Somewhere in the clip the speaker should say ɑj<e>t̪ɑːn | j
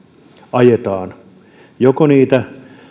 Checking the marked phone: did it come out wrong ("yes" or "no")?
no